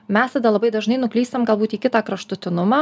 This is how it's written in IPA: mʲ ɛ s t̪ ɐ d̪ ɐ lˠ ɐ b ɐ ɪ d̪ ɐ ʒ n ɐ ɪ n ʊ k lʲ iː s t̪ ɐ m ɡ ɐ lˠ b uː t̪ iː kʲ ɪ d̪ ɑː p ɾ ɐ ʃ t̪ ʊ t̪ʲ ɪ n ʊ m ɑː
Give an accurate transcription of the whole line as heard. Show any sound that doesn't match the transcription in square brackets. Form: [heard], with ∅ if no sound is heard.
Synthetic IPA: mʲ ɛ s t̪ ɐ d̪ ɐ lˠ ɐ b ɐ ɪ d̪ ɐ ʒ n ɐ ɪ n ʊ k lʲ iː s t̪ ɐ m ɡ ɐ lˠ b uː t̪ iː kʲ ɪ [t̪] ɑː [k] ɾ ɐ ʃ t̪ ʊ t̪ʲ ɪ n ʊ m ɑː